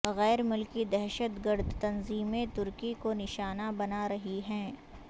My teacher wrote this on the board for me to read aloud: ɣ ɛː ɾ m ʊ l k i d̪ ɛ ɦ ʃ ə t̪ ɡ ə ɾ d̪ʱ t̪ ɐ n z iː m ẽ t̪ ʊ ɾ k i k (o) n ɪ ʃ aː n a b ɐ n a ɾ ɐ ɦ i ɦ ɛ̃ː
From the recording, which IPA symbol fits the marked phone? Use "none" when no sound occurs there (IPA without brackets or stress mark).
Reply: o